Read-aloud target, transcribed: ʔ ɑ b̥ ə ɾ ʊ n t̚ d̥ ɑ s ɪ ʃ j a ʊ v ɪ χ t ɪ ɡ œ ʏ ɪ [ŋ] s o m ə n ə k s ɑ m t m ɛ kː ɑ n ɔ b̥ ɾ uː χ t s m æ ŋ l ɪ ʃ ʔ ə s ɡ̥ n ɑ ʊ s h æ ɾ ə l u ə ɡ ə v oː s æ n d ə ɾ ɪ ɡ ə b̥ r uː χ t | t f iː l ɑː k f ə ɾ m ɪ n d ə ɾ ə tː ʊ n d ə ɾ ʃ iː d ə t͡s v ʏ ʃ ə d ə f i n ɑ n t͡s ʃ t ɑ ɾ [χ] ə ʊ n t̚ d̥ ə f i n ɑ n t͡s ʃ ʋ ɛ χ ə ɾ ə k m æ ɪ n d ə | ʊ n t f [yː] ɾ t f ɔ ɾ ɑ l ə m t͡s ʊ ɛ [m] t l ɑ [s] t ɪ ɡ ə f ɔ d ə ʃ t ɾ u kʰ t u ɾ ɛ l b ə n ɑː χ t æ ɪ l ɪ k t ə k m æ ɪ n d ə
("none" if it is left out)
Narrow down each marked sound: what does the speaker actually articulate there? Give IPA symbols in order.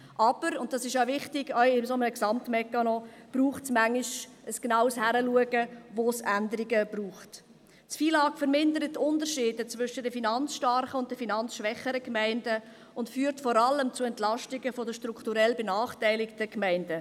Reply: m, χ, yː, n, ʃ

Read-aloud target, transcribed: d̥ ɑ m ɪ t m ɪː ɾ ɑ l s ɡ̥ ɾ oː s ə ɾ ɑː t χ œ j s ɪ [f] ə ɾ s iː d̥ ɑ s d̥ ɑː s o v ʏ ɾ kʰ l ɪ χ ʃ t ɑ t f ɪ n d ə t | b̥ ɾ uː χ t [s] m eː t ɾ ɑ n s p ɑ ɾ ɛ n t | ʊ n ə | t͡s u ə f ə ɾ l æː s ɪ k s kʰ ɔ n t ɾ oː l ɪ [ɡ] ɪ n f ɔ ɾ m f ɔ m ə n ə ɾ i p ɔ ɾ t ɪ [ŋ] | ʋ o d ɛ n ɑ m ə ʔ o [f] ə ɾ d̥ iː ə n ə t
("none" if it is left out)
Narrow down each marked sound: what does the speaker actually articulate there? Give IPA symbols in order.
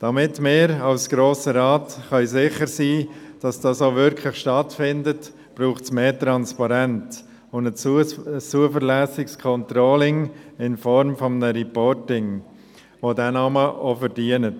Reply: χ, s, ŋ, ŋ, f

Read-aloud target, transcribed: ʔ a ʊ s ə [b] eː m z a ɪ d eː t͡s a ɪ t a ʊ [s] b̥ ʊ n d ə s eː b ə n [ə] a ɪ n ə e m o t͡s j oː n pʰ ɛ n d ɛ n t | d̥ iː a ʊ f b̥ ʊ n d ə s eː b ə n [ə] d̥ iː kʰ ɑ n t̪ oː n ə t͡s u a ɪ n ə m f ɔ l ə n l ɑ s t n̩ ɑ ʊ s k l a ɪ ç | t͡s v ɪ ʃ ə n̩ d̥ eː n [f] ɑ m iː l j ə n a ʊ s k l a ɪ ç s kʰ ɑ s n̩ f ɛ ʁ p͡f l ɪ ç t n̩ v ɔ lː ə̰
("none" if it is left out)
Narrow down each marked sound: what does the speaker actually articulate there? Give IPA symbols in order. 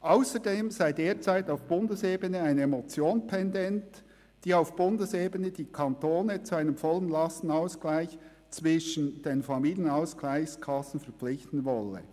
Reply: d, f, ə, ə, f

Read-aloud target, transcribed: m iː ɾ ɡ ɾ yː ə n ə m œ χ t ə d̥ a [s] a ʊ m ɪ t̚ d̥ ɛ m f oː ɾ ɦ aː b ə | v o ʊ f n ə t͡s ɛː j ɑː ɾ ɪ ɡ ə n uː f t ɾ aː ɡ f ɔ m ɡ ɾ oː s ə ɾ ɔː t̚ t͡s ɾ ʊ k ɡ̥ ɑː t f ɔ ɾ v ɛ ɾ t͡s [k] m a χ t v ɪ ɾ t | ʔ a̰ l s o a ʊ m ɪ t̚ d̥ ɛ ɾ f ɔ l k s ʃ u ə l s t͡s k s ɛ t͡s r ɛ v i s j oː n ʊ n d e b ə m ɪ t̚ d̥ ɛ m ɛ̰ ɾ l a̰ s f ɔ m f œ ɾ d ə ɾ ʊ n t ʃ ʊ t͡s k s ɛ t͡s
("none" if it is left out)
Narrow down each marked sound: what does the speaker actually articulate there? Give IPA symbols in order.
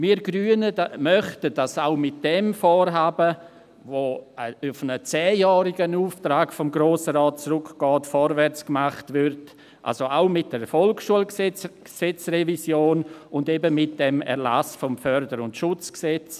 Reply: s, k

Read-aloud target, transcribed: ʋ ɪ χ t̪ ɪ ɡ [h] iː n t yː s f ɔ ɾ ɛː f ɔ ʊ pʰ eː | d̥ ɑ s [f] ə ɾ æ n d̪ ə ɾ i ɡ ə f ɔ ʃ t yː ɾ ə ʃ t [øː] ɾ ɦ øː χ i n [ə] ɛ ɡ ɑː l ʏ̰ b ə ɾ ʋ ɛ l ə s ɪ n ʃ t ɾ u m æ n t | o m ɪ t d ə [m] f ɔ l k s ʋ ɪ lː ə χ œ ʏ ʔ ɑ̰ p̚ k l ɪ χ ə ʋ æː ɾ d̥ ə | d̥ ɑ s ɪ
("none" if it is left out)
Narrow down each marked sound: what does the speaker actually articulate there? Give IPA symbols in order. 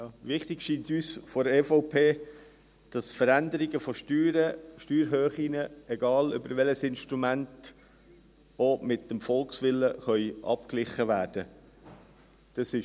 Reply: ʃ, f, yː, ə, m

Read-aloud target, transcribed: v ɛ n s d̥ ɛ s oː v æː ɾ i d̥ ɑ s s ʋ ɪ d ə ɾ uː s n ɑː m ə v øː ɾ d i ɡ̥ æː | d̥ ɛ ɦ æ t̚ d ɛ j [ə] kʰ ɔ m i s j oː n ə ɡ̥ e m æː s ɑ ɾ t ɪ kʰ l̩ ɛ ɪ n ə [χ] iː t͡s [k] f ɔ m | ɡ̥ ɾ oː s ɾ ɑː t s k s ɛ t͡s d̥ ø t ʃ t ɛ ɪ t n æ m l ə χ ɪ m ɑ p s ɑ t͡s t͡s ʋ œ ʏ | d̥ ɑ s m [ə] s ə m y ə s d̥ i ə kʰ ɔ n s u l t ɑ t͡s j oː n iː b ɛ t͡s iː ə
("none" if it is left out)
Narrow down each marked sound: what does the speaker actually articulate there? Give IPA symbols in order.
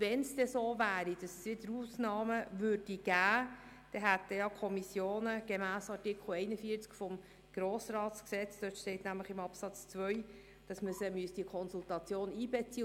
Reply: ɑ, f, k, ə

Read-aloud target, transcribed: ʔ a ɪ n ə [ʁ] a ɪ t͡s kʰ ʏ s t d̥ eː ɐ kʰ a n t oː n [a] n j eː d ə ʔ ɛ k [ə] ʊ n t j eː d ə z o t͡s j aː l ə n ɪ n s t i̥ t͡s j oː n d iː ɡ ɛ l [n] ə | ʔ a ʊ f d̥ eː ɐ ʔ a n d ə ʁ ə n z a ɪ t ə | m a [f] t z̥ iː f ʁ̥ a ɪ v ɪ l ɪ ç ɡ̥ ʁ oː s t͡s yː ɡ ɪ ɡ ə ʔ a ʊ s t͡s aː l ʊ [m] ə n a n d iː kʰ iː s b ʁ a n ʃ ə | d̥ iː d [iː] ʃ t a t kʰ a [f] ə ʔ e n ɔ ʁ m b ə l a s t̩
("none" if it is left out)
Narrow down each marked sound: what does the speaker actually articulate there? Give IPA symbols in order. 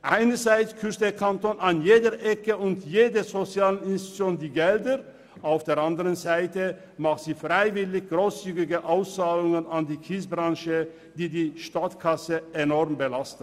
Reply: z, a, ə, d, χ, ŋ, iː, s

